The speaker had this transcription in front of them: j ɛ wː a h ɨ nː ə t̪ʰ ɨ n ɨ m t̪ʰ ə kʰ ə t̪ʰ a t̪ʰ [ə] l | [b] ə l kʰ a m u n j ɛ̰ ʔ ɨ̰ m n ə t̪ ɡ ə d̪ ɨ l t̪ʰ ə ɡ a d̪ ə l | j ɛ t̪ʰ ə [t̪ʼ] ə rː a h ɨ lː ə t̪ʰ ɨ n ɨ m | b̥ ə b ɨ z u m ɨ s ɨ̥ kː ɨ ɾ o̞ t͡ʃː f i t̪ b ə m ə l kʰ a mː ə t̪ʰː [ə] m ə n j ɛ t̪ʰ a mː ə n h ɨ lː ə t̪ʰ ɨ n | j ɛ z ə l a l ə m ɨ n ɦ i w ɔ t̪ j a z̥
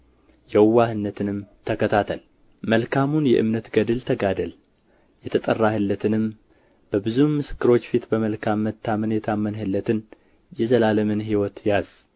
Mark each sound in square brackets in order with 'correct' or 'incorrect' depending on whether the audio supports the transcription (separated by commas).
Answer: correct, incorrect, correct, incorrect